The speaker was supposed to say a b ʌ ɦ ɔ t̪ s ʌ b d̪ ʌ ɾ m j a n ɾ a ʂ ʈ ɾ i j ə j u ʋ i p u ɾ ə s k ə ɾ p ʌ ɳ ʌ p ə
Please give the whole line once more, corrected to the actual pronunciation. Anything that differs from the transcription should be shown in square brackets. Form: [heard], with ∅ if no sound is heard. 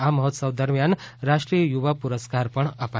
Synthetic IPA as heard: a [m] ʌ ɦ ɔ t̪ s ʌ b d̪ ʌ ɾ m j a n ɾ a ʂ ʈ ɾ i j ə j u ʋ [a] p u ɾ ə s k [a] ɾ p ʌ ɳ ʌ p [a]